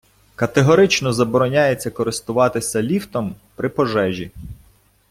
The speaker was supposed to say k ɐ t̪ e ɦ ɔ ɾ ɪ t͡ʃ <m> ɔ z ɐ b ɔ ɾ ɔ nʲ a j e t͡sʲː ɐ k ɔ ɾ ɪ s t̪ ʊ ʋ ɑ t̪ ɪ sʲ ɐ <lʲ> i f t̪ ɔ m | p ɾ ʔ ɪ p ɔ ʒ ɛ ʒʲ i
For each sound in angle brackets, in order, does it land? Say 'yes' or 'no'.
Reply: no, yes

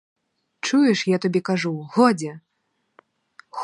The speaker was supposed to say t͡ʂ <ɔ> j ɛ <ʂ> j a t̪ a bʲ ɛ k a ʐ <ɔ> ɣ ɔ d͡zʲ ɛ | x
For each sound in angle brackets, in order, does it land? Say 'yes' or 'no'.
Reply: no, yes, no

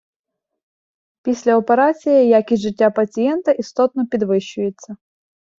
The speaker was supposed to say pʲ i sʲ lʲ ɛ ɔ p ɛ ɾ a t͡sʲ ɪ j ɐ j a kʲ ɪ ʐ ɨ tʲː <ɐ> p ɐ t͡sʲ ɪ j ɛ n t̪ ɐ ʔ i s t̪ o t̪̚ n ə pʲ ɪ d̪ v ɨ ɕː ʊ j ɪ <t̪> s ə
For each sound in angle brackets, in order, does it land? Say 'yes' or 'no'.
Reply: no, yes

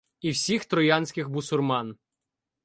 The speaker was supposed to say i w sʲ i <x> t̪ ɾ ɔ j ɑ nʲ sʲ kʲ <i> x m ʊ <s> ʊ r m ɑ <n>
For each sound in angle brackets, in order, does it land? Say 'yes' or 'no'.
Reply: yes, no, yes, yes

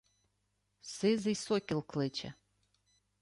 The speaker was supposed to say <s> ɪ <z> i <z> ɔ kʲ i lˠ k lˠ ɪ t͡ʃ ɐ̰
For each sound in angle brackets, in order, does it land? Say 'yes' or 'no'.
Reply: yes, yes, no

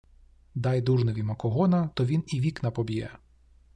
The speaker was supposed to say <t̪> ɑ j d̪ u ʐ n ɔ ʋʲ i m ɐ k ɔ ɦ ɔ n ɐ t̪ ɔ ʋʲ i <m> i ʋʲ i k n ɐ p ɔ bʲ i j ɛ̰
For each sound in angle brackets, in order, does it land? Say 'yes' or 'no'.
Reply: no, no

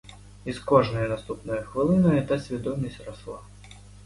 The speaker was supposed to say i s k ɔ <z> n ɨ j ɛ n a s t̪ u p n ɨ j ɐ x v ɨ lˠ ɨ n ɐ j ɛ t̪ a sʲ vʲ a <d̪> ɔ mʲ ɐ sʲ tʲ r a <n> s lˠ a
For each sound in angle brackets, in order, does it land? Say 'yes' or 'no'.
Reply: no, yes, no

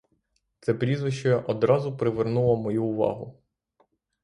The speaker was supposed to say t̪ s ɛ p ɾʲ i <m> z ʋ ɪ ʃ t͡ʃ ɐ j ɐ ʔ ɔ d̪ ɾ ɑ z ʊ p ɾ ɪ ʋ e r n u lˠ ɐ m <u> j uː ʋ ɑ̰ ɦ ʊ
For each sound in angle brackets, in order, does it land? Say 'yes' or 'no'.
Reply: no, no

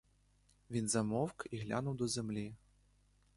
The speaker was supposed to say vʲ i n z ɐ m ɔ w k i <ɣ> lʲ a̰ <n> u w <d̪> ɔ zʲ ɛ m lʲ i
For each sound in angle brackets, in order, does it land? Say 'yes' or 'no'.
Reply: yes, yes, yes

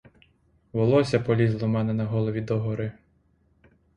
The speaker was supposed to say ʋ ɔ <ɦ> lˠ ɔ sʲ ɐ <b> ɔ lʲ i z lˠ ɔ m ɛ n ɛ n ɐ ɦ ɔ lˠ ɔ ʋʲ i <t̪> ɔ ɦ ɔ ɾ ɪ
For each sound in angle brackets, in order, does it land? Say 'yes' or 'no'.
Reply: no, no, no

